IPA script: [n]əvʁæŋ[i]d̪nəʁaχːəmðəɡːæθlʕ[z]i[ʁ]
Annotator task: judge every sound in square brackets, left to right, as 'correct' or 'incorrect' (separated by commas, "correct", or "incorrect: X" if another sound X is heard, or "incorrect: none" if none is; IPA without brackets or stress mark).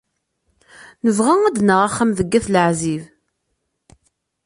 correct, incorrect: æ, correct, incorrect: v